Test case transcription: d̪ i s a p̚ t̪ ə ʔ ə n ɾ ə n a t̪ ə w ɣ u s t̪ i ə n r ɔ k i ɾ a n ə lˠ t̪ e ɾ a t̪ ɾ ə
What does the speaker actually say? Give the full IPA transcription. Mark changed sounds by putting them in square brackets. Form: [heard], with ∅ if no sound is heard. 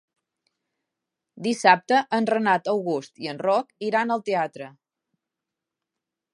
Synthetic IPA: d̪ i s a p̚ t̪ ə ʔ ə n [r] ə n a t̪ ə w ɣ u s t̪ i ə n r ɔ k i ɾ a n ə lˠ t̪ e [∅] a t̪ ɾ ə

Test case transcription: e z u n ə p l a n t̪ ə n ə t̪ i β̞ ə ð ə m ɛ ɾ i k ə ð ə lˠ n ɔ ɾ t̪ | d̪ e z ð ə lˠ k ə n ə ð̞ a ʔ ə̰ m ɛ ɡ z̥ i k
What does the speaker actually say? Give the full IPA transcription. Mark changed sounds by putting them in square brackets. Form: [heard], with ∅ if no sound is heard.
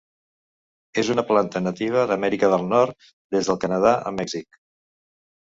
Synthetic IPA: e z u n ə p l a n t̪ ə n ə t̪ i β̞ ə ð ə m ɛ ɾ i k ə ð ə lˠ n ɔ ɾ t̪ | d̪ e z ð ə lˠ k ə n ə ð̞ a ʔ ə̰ m ɛ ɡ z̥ i k

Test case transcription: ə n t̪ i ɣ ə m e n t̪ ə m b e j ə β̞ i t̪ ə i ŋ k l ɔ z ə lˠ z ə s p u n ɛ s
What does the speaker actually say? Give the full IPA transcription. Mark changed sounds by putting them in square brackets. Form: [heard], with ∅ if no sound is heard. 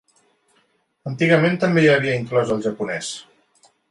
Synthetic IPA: ə n t̪ i ɣ ə m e n t̪ ə m b e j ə β̞ i [∅] ə i ŋ k l ɔ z ə lˠ [ʒ] ə [∅] p u n ɛ s

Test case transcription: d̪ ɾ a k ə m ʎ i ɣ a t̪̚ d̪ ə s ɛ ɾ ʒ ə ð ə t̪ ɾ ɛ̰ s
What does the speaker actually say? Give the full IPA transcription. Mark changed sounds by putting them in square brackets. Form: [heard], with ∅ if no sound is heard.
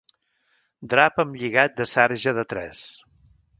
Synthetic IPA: d̪ ɾ a [p] ə m ʎ i ɣ a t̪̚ d̪ ə s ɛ ɾ ʒ ə ð ə t̪ ɾ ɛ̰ s

